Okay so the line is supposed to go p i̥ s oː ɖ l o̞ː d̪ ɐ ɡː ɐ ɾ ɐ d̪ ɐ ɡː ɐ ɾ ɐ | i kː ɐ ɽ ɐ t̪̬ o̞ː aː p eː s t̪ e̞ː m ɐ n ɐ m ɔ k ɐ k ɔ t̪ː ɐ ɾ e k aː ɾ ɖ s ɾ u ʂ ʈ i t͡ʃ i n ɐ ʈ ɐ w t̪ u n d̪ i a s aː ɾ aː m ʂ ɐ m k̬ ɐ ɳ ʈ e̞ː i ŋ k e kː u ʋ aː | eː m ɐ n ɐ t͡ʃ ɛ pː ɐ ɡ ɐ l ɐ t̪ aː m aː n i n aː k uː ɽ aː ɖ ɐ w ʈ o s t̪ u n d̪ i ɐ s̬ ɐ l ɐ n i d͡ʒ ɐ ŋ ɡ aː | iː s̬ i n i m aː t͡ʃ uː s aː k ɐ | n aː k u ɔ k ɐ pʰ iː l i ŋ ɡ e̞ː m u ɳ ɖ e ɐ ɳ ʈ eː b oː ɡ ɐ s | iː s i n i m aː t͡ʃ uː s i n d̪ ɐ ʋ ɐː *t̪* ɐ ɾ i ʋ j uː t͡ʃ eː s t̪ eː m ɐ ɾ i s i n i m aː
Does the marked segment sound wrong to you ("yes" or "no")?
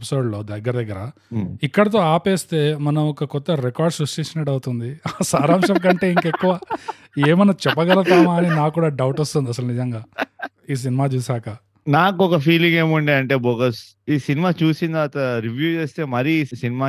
no